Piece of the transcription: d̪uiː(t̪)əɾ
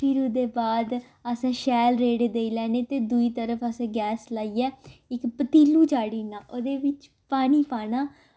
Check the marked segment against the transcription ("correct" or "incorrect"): correct